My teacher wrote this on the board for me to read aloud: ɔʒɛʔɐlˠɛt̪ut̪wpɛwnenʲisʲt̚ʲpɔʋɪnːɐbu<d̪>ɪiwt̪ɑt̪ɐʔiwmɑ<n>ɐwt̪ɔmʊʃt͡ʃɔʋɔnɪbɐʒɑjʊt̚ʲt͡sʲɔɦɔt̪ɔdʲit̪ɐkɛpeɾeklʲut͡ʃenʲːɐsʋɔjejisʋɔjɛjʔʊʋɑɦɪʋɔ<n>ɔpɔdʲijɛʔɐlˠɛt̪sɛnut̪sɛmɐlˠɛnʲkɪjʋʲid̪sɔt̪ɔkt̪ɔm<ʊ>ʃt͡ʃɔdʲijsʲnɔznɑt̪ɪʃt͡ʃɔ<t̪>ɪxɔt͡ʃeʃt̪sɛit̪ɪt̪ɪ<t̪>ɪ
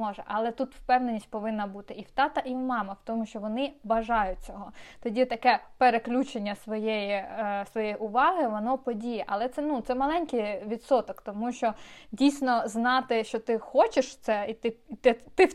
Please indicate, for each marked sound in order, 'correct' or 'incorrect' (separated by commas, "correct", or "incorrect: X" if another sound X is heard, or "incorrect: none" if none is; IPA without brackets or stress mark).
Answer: incorrect: t̪, incorrect: m, correct, incorrect: u, correct, correct